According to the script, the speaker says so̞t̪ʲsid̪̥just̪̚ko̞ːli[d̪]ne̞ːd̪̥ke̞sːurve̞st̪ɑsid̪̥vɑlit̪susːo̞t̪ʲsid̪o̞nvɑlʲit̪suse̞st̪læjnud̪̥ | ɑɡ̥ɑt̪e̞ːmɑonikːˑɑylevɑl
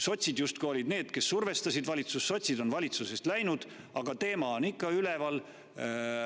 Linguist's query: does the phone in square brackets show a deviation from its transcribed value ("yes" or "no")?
no